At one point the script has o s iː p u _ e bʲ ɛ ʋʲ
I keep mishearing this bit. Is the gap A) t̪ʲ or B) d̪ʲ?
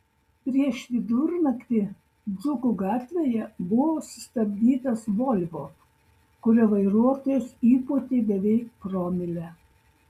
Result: A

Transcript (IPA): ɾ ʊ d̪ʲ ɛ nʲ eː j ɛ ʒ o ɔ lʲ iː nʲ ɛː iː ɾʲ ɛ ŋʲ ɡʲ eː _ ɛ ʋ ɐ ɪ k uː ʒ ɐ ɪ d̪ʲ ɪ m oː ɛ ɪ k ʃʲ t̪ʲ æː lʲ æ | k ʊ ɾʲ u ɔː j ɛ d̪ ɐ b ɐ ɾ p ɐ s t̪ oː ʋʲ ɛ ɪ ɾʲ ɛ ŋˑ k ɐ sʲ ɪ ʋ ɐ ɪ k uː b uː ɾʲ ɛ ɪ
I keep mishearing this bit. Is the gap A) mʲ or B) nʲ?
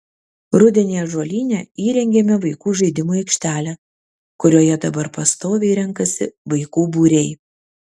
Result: A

